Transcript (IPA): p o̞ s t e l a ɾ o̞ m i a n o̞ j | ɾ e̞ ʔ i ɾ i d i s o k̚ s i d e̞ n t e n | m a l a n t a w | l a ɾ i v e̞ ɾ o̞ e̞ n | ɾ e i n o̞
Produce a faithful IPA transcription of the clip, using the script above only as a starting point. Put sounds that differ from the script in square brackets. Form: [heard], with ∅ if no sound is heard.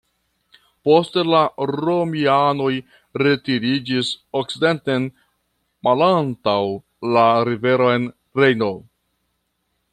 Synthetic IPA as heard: p o̞ s t e l a ɾ o̞ m i a n o̞ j | ɾ e̞ [t] i ɾ i [d͡ʒ] i s o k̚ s i d e̞ n t e n | m a l a n t a w | l a ɾ i v e̞ ɾ o̞ e̞ n | ɾ e [j] n o̞